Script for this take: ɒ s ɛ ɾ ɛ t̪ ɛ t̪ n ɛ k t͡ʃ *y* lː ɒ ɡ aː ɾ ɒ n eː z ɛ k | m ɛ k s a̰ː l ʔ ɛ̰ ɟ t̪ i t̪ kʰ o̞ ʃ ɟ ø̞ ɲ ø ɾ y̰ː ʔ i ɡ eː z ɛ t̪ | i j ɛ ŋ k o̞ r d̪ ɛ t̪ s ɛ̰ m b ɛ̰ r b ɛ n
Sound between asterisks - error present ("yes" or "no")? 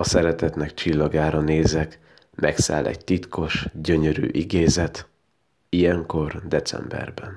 yes